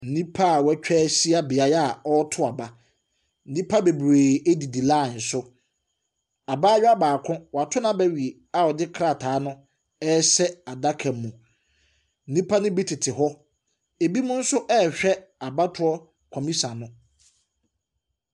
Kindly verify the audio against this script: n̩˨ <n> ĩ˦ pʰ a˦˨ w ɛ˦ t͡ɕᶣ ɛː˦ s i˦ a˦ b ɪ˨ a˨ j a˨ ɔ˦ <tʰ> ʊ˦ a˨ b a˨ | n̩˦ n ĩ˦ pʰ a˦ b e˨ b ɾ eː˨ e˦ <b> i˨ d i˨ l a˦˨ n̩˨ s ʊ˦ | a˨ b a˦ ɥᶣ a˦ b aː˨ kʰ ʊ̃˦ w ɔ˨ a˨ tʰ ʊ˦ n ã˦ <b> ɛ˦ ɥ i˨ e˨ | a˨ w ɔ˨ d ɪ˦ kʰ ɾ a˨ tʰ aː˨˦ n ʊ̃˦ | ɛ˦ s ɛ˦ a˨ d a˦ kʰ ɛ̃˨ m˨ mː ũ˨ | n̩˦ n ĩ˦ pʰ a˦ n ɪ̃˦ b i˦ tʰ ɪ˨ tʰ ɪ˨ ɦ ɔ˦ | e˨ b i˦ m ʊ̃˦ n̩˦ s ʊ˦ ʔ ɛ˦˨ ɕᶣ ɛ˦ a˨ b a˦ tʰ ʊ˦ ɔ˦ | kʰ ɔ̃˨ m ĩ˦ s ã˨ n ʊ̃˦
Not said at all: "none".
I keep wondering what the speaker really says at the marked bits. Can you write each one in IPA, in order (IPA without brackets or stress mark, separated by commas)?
n, tʰ, d, b